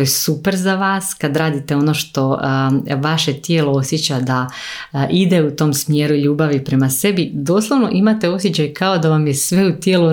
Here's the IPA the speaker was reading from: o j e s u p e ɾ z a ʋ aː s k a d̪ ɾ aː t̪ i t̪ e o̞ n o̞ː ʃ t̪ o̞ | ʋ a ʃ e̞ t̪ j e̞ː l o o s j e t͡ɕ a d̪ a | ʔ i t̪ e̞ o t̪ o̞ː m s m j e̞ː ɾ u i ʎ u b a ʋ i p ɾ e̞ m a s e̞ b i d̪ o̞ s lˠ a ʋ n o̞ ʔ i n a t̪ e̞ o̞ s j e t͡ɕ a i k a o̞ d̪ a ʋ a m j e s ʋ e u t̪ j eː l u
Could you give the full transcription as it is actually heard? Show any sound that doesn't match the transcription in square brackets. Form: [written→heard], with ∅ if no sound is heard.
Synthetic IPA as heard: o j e s u p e ɾ z a ʋ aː s k a d̪ ɾ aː [t̪→d̪] i t̪ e o̞ n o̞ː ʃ t̪ o̞ | ʋ a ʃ e̞ t̪ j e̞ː l o o s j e t͡ɕ a d̪ a | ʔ i [t̪→d̪] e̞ [o→u] t̪ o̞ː m s m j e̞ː ɾ u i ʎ [u→uː] b a ʋ i p ɾ e̞ m a s e̞ b i d̪ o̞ s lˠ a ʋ n o̞ ʔ i [n→m] a t̪ e̞ o̞ s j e t͡ɕ a [i→j] k a o̞ d̪ a ʋ a m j e s ʋ e u t̪ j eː l u